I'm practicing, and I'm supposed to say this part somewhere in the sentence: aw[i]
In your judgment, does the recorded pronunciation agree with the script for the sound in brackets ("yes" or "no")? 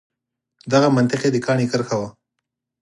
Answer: no